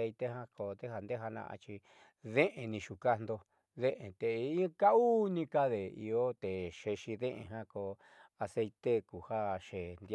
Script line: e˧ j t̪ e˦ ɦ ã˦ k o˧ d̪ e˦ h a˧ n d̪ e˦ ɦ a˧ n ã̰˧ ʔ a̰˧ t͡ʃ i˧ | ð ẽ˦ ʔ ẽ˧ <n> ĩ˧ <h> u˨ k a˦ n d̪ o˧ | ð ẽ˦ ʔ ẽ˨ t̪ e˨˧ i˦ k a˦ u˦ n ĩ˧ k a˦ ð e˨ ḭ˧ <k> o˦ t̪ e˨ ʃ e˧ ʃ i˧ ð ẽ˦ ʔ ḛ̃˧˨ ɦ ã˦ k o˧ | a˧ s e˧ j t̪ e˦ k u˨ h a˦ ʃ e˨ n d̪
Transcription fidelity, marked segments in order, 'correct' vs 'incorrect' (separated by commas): correct, incorrect, incorrect